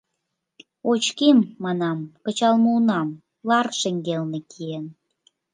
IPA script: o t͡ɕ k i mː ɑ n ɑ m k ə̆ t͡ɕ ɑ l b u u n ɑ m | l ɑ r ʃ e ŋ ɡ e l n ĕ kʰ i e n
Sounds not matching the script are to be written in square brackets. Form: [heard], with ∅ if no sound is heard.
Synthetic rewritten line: o t͡ɕ k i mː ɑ n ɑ m k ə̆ t͡ɕ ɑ l [m] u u n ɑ m | l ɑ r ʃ e ŋ ɡ e l n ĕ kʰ i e n